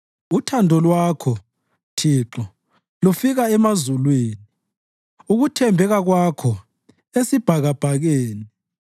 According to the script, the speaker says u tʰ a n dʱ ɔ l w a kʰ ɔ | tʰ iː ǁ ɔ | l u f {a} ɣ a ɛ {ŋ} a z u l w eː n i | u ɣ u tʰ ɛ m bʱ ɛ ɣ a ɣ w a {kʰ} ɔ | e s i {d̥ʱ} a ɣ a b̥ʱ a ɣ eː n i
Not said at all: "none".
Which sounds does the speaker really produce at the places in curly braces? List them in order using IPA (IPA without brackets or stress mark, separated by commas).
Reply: i, m, kʰ, b̥ʱ